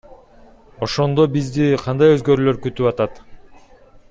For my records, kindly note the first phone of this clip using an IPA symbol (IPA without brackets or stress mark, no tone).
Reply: o̞